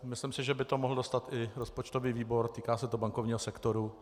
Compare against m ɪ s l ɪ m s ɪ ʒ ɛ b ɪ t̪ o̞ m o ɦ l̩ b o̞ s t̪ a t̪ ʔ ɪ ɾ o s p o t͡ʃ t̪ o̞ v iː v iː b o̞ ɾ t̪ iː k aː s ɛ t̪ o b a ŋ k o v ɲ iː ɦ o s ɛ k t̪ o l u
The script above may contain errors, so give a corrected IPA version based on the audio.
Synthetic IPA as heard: m ɪ s l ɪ m s ɪ ʒ ɛ b ɪ t̪ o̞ m o ɦ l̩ d o̞ s t̪ a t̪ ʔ ɪ ɾ o s p o t͡ʃ t̪ o̞ v iː v iː b o̞ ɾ t̪ iː k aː s ɛ t̪ o b a ŋ k o v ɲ iː ɦ o s ɛ k t̪ o ɾ u